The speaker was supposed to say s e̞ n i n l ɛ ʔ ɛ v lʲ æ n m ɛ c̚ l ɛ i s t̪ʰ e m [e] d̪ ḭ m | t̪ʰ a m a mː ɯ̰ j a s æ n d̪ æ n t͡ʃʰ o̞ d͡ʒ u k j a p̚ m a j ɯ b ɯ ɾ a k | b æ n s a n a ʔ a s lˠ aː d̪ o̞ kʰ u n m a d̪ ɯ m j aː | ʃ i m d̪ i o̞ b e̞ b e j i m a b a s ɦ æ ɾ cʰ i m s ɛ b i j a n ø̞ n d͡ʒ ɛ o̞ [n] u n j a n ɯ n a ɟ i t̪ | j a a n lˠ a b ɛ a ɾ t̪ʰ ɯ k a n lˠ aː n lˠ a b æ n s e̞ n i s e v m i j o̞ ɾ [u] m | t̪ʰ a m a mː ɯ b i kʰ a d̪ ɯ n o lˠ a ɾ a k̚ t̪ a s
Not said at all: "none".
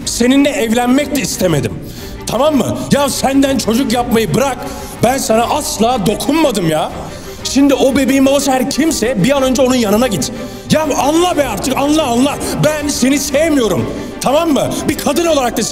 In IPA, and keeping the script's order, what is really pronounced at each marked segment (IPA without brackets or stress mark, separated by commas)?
e, n, u